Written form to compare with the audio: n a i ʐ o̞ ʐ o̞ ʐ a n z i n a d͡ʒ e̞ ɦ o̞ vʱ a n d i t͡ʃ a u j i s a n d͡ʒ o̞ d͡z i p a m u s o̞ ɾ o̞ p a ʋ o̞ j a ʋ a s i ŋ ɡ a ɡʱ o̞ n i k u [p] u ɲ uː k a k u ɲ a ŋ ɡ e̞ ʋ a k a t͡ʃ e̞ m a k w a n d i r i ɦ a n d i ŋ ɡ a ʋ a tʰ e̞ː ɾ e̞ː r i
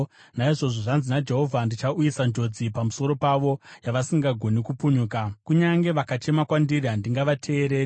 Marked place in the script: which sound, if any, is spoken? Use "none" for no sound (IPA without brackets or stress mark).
p